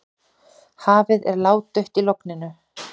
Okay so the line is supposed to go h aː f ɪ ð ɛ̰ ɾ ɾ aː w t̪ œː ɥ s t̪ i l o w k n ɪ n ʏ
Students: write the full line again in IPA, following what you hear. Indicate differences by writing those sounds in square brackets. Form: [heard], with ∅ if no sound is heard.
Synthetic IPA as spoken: h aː [v] ɪ ð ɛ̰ ɾ [l] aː w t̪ [œ] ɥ [h] t̪ i l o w k n ɪ n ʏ